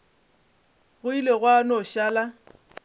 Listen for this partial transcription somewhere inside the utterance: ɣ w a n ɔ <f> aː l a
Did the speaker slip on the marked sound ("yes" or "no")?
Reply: yes